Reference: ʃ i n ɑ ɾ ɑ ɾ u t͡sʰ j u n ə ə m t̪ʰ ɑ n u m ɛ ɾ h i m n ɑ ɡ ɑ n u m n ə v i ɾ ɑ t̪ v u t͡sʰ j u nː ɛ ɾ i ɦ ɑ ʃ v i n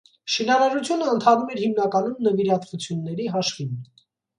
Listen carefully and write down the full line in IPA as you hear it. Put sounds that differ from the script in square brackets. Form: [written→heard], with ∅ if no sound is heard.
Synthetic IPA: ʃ i n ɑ ɾ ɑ ɾ u t͡sʰ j u n ə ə [m→n] t̪ʰ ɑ n u m ɛ ɾ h i m n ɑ [ɡ→k] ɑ n u m n ə v i ɾ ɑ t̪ v u t͡sʰ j u nː ɛ ɾ i ɦ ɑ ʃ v i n